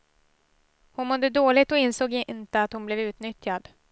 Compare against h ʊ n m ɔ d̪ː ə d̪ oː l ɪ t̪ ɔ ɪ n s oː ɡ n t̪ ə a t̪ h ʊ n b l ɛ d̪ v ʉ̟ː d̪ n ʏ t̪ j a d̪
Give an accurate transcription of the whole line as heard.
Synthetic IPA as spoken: h ʊ n m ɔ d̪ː ə d̪ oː l ɪ t̪ ɔ ɪ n s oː ɡ n t̪ ə a t̪ h ʊ n b l ɛ v ʉ̟ː t̪ n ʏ t̪ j a d̪